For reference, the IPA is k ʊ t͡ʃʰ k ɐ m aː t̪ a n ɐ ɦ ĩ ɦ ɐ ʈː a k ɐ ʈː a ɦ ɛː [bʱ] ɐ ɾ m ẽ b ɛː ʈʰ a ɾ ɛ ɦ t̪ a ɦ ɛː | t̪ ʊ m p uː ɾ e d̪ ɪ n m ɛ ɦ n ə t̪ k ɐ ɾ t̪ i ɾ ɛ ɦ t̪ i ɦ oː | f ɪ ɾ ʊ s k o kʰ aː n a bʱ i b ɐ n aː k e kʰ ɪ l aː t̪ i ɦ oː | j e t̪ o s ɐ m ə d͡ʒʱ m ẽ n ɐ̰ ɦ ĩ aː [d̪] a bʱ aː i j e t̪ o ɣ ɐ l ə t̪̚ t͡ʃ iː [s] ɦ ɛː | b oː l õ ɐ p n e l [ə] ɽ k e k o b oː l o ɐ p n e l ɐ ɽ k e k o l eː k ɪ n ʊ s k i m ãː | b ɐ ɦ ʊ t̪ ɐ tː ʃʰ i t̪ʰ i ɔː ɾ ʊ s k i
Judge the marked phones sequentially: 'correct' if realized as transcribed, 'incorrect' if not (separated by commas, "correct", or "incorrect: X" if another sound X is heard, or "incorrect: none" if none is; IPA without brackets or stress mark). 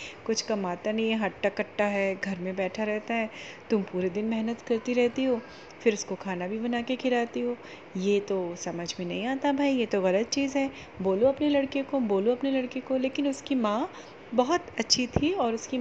incorrect: ɡʱ, incorrect: t̪, incorrect: z, incorrect: ɐ